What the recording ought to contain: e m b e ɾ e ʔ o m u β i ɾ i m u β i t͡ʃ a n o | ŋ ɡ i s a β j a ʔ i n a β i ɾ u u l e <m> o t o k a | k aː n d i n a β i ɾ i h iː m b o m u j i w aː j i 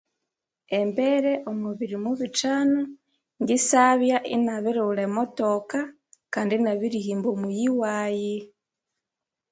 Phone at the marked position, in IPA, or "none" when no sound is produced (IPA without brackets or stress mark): m